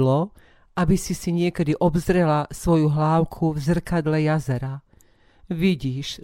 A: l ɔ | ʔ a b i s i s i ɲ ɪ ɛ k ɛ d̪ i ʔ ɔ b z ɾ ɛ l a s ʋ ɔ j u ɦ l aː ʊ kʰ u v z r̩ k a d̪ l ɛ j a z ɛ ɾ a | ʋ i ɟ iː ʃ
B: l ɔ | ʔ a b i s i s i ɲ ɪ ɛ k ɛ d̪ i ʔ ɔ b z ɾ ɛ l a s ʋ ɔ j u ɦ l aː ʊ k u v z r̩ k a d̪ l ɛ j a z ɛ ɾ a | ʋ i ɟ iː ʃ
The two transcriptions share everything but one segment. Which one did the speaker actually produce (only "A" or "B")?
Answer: A